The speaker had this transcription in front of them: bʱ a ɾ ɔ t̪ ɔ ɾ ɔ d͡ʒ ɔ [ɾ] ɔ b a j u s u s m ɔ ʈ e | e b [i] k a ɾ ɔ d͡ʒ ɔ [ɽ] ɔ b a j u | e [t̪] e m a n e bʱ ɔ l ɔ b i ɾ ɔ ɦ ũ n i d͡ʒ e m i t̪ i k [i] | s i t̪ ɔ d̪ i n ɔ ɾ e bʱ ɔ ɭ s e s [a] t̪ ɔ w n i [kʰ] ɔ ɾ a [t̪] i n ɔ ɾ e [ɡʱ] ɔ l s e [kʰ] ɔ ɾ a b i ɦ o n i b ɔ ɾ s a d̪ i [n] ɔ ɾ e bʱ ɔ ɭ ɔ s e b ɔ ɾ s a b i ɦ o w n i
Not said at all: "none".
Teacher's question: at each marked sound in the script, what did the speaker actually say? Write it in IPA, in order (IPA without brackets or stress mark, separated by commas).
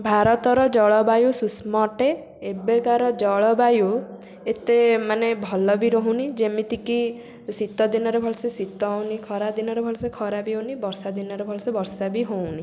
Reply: ɭ, e, ɭ, t̪, i, i, kʰ, d̪, bʱ, kʰ, n